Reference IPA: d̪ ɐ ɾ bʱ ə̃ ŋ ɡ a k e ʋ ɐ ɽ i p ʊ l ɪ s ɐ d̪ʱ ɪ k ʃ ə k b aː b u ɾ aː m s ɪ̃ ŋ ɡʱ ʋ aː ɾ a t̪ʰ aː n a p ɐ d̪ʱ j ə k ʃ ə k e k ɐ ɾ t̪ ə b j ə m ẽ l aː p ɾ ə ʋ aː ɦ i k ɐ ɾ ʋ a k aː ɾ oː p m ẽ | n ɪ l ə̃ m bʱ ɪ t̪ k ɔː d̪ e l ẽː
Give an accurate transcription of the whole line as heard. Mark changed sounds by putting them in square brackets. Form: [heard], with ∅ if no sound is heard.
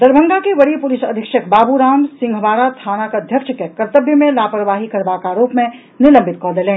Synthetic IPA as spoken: d̪ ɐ ɾ bʱ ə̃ ŋ ɡ a k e ʋ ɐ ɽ i p ʊ l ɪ s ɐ d̪ʱ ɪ k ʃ ə k b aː b u ɾ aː m s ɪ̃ ŋ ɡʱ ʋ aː ɾ a t̪ʰ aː n a [k] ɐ d̪ʱ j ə k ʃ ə k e k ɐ ɾ t̪ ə b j ə m ẽ l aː p ɾ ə ʋ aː ɦ i k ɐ ɾ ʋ a k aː ɾ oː p m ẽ | n ɪ l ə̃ m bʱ ɪ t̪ k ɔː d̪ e l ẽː